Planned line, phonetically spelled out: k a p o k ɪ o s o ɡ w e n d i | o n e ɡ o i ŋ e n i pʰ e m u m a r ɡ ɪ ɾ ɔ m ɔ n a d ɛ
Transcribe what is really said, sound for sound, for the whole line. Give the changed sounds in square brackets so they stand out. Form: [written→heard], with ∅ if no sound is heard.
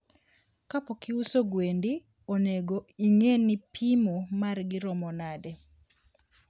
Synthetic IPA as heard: k a p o k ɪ [o→u] s o ɡ w e n d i | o n e ɡ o i ŋ e n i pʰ [e→i] m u m a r ɡ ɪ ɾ ɔ m ɔ n a d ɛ